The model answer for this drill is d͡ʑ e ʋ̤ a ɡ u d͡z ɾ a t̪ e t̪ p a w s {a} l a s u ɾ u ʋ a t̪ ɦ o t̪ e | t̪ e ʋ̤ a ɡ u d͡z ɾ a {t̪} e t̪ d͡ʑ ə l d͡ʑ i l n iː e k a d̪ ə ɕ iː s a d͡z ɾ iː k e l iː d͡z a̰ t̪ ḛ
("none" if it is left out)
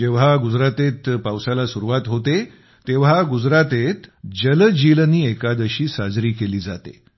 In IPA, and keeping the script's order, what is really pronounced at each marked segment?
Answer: a, t̪

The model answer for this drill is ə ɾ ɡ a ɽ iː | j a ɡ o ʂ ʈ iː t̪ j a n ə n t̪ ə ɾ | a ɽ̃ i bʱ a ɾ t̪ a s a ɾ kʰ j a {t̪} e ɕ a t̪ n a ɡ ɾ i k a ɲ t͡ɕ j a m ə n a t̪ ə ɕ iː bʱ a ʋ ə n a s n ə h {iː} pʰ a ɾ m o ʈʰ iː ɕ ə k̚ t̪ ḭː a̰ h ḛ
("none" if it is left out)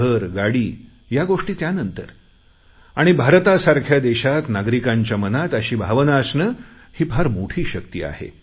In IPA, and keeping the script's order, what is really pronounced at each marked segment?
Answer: d̪, iː

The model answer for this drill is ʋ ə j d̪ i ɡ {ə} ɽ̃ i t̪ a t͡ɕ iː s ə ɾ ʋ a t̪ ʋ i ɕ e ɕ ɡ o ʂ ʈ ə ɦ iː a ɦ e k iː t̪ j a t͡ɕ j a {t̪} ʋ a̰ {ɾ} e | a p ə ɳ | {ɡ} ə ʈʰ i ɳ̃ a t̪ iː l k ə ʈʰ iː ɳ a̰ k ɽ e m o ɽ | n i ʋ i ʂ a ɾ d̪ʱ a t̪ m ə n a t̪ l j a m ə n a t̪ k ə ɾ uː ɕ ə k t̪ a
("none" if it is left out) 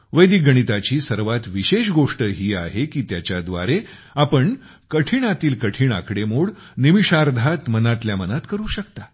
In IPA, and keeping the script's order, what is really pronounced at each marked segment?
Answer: ə, d̪, ɾ, k

